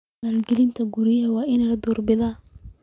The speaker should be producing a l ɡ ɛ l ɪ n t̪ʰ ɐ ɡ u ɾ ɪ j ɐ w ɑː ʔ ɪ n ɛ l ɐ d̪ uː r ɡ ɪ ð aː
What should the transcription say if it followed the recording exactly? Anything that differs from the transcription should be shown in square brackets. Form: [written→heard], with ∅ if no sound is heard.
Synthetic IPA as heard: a l ɡ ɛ l ɪ n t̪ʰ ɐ ɡ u ɾ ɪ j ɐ w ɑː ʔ ɪ n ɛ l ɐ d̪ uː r [ɡ→b] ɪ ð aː